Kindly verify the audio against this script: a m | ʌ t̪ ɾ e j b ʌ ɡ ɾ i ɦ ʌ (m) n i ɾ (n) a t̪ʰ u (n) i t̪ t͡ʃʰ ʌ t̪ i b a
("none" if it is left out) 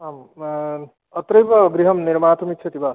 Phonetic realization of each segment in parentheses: m, m, m

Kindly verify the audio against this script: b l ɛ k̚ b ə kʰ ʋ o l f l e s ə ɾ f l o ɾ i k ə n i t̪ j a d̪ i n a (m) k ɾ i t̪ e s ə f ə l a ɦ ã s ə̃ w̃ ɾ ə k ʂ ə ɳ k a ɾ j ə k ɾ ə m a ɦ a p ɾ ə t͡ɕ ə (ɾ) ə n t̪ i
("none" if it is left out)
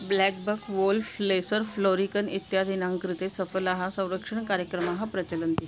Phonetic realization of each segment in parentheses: ŋ, l

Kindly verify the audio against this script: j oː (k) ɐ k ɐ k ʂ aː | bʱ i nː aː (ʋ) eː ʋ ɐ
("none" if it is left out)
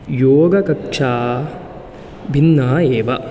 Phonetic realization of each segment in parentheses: ɡ, none

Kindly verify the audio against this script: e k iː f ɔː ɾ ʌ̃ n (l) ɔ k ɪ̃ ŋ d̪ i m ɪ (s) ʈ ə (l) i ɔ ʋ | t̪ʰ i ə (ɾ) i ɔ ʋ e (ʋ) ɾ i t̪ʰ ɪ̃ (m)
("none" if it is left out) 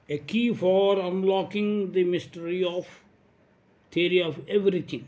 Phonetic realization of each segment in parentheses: l, s, ɾ, ɾ, ʋ, ŋ

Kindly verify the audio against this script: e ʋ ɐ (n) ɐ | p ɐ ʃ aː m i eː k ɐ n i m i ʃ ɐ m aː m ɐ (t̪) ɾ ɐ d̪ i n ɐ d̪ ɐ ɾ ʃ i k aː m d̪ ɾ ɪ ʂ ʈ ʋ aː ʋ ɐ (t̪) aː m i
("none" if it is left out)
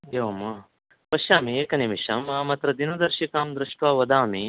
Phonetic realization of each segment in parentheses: m, t̪, d̪

